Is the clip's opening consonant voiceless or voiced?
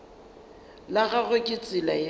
voiced